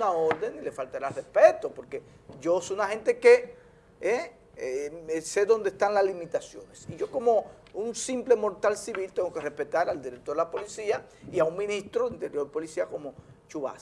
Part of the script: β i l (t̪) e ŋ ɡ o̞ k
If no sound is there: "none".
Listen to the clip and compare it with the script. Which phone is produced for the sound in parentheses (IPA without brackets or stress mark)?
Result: t̪